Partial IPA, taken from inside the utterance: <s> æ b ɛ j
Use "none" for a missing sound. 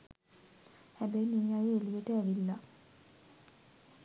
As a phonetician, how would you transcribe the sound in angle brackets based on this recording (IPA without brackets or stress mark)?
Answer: h